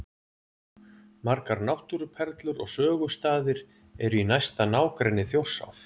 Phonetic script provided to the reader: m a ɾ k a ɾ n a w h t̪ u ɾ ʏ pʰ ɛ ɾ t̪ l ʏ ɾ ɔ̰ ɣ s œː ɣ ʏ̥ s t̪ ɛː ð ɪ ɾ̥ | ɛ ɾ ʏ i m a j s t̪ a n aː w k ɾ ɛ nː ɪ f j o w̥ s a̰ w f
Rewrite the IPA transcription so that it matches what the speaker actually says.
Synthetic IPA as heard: m a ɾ k a ɾ n a w h t̪ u ɾ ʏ pʰ ɛ ɾ t̪ l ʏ ɾ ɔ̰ ɣ s œː ɣ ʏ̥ s t̪ aː ð ɪ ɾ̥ | ɛ ɾ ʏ i n a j s t̪ a n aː w k ɾ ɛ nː ɪ θ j o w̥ s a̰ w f